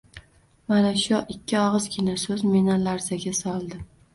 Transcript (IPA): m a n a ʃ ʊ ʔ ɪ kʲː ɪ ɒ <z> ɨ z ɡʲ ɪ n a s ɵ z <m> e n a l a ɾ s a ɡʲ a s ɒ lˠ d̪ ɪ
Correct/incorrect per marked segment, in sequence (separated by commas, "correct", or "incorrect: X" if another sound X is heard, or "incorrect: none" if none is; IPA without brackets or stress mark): incorrect: ʁ, correct